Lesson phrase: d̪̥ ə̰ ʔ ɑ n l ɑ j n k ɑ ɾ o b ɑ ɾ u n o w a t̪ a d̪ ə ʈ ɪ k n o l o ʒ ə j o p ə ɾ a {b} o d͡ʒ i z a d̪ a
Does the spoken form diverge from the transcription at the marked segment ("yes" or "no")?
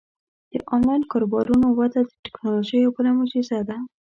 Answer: yes